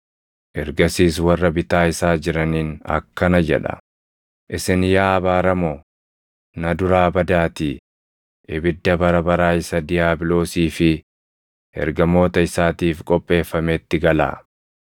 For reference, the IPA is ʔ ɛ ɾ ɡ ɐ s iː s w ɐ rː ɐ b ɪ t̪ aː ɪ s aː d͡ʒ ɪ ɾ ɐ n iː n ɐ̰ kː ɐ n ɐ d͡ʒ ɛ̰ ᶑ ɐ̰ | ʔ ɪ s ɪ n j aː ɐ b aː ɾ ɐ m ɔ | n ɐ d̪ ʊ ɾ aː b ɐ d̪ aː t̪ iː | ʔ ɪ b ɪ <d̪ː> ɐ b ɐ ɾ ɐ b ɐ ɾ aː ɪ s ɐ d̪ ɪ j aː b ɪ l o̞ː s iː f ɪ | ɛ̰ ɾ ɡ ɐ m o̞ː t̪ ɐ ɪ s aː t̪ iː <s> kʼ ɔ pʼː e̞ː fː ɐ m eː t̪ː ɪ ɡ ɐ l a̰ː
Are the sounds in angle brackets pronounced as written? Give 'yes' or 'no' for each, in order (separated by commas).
yes, no